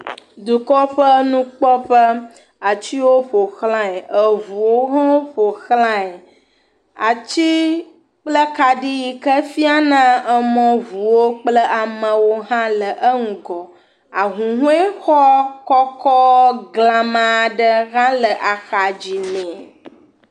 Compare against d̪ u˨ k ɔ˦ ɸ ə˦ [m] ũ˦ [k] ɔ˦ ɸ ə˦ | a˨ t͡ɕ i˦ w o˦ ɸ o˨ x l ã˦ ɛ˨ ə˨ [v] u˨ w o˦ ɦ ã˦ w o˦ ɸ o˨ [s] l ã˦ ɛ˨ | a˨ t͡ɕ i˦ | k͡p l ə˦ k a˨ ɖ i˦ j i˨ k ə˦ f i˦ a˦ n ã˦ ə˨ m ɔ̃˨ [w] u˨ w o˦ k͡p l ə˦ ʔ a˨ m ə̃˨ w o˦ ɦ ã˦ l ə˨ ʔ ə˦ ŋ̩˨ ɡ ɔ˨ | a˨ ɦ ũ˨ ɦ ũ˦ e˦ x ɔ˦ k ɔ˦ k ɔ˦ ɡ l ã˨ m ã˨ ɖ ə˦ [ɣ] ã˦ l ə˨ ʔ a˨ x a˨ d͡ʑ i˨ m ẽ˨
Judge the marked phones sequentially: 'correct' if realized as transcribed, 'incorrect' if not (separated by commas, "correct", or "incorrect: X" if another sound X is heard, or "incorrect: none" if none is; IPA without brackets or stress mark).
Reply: incorrect: n, incorrect: k͡p, correct, incorrect: x, incorrect: v, correct